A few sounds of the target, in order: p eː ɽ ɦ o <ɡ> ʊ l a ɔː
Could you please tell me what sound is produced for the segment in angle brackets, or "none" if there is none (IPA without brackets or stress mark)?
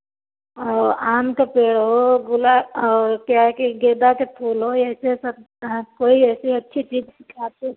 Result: ɡ